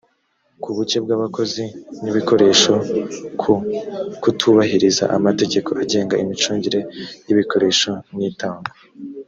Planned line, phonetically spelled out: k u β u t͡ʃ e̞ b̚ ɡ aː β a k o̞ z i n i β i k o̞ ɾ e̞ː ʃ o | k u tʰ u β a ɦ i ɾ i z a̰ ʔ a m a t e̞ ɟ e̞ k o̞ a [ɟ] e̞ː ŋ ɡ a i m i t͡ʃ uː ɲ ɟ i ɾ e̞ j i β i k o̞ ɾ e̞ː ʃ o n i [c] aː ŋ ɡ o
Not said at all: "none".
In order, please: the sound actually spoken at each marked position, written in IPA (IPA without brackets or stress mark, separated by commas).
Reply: ɟ, t